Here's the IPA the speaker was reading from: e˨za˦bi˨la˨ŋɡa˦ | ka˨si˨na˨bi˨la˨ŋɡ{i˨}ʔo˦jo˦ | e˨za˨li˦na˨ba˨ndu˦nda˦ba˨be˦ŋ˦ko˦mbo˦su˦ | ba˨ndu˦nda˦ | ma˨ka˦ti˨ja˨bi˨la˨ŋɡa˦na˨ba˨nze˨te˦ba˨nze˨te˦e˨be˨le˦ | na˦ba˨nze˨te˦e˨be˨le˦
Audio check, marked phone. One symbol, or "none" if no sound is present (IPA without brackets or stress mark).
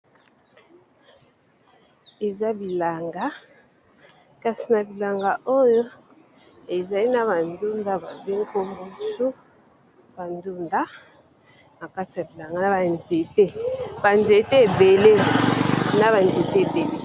a˨